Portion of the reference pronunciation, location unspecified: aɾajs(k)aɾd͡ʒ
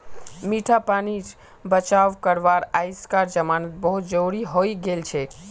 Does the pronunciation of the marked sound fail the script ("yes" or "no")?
no